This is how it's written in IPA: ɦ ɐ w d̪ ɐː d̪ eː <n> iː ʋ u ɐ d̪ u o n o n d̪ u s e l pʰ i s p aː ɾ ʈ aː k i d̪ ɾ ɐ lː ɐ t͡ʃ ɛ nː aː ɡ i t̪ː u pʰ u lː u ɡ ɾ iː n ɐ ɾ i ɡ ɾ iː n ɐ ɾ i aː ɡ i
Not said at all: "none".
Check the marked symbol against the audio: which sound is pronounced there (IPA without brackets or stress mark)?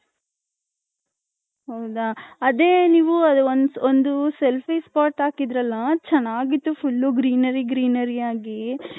n